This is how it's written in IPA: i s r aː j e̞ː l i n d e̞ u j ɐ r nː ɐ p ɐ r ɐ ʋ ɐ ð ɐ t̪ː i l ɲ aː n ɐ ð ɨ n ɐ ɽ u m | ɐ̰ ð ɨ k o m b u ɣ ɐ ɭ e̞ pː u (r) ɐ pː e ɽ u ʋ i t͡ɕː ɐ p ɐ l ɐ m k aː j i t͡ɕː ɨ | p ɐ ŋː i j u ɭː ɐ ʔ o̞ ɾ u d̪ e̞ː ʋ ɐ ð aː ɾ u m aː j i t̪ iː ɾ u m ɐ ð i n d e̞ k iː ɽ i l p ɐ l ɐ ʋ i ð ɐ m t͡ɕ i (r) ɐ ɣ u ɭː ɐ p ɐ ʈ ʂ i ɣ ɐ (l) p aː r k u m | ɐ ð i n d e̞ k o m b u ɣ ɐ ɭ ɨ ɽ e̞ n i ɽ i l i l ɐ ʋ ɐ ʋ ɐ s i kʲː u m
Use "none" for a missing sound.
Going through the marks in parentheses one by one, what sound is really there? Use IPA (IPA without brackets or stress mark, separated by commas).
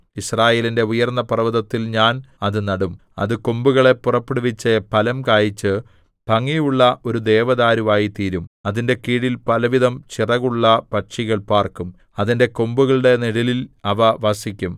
r, r, ɭ